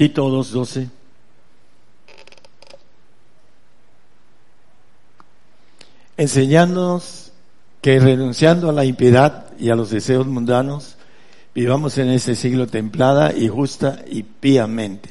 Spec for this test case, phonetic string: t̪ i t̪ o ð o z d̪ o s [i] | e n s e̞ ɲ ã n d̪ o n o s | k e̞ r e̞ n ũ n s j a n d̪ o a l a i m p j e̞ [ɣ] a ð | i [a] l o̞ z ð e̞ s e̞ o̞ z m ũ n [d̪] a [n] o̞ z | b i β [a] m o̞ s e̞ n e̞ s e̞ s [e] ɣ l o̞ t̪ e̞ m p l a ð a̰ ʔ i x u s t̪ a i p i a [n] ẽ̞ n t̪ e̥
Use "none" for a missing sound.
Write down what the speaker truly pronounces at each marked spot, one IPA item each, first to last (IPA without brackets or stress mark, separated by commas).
e, ð, a, d̪, n, a, i, m